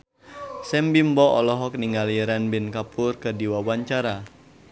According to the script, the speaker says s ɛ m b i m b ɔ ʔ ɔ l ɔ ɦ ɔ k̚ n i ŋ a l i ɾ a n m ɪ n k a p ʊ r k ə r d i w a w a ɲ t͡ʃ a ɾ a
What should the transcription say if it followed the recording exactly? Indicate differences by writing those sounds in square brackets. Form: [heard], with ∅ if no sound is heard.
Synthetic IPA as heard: s ɛ m b i m b ɔ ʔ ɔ l ɔ ɦ ɔ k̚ n i ŋ a l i ɾ a n [b] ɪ n k a p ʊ r k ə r d i w a w a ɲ t͡ʃ a ɾ a